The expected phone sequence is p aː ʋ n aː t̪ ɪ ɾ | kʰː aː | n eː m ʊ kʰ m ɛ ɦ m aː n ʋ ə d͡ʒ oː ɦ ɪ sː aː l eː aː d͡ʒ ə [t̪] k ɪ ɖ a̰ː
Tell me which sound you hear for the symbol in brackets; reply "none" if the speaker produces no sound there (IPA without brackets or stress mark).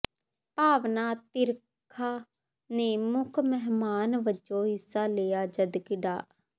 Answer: d̪